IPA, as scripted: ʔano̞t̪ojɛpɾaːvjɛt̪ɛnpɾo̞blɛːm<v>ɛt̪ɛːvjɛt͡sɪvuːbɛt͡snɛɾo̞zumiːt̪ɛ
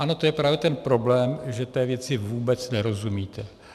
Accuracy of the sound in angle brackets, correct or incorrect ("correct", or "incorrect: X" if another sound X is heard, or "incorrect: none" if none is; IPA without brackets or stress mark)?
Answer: incorrect: ʒ